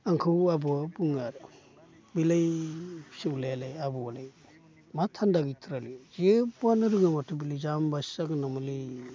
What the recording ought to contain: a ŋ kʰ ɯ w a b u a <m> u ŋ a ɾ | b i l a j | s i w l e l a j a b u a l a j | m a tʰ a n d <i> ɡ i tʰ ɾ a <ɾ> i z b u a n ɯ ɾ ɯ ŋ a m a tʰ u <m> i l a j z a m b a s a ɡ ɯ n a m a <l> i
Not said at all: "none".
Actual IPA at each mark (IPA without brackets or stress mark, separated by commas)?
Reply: b, a, l, b, l